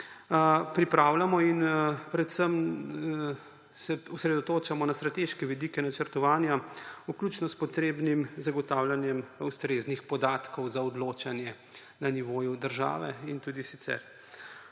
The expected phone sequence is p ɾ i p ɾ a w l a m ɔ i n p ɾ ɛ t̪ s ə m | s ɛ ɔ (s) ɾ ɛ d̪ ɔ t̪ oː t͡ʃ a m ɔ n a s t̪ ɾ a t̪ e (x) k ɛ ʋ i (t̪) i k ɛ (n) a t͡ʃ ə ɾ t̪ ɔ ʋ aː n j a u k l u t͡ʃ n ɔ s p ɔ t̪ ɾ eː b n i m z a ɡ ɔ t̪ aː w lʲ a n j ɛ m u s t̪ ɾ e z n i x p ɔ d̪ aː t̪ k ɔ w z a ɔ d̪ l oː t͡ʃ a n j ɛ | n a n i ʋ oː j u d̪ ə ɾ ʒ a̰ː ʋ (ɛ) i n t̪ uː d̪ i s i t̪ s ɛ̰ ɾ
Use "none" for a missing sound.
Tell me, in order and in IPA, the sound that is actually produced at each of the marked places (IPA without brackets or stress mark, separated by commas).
s, ʃ, d̪, n, ɛ